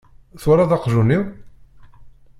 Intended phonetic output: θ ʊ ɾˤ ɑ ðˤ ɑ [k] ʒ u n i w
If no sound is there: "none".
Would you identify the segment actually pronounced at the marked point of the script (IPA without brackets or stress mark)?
q